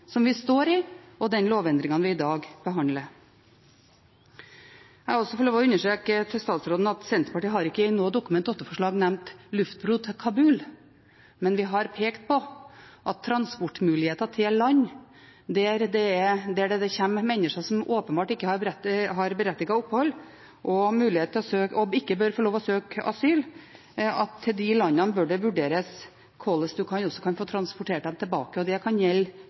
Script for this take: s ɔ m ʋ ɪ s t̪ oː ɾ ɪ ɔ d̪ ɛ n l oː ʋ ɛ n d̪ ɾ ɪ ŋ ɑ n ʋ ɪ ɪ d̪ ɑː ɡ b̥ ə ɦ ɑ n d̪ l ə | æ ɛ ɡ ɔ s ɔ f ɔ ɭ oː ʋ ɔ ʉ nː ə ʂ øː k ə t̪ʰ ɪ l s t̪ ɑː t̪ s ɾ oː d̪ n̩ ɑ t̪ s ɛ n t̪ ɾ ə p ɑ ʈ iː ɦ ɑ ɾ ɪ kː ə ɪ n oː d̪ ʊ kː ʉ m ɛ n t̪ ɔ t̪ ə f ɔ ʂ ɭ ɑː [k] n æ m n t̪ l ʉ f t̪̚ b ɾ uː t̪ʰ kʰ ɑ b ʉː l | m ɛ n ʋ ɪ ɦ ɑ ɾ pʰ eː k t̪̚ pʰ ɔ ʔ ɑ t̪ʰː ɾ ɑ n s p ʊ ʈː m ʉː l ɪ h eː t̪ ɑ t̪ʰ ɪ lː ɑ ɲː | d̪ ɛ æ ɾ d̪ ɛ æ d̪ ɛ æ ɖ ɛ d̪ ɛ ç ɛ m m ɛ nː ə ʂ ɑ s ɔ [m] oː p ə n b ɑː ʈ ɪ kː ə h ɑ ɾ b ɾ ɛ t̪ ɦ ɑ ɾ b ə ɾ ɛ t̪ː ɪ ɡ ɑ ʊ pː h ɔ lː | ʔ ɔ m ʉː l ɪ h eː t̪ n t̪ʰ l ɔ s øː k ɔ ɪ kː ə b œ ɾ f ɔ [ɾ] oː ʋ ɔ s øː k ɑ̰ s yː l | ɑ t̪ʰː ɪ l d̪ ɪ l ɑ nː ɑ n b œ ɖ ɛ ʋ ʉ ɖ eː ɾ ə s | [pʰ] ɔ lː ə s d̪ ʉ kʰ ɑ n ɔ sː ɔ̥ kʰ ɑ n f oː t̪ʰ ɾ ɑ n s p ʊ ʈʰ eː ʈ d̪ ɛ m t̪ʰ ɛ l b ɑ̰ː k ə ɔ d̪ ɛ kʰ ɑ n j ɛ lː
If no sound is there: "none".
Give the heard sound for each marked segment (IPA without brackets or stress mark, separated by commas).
ɡ, m, ɭ, kʰ